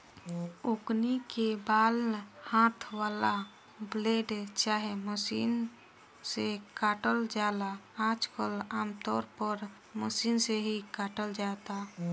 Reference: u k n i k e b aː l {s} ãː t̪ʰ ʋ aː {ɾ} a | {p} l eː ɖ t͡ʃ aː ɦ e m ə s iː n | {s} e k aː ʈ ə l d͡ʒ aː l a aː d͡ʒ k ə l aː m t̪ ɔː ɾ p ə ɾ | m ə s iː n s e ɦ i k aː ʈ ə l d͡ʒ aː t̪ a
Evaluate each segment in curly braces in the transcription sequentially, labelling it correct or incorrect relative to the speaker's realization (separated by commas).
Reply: incorrect, incorrect, incorrect, correct